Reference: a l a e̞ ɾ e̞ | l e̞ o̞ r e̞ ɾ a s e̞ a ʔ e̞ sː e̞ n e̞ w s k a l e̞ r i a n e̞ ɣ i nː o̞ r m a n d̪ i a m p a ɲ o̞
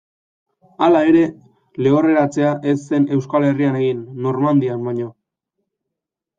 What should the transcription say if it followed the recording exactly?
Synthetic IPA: a l a e̞ ɾ e̞ | l e̞ o̞ r e̞ ɾ a t͡s e̞ a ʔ e̞ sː e̞ n e̞ w s k a l e̞ r i a n e̞ ɣ i nː o̞ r m a n d̪ i a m b a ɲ o̞